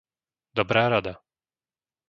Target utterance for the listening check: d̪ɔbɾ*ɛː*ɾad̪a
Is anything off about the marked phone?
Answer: yes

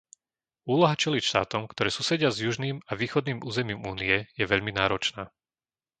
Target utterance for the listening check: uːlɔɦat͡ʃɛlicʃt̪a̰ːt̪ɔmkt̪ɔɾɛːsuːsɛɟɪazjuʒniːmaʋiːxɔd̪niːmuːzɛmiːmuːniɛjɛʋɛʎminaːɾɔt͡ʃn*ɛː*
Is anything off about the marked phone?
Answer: yes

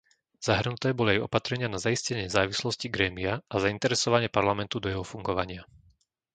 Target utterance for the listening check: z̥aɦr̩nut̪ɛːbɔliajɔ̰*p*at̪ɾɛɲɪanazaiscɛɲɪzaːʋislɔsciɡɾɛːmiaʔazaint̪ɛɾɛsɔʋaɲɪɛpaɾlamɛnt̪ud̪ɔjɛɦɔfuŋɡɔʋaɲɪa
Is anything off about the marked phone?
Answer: no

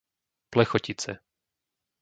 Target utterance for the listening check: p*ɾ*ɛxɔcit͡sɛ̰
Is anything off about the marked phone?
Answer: yes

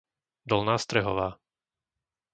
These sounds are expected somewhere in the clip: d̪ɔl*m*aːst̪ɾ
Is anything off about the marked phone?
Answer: yes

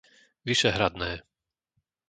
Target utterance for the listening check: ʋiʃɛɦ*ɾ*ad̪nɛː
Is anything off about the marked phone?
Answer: no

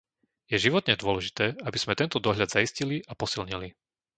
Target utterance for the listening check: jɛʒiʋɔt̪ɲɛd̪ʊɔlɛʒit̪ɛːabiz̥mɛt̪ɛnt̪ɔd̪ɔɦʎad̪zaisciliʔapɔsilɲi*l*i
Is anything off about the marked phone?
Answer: no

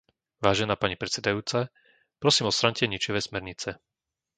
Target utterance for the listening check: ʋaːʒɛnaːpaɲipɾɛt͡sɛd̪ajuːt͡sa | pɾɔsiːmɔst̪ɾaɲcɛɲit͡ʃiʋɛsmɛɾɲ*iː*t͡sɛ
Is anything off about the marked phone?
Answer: yes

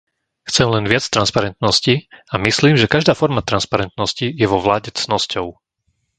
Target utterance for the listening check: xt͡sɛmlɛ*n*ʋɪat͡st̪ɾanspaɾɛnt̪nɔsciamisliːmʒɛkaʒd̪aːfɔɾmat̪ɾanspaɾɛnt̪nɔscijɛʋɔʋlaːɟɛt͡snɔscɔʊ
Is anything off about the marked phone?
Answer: no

